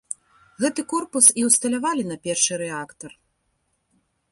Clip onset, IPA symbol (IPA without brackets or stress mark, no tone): ɣ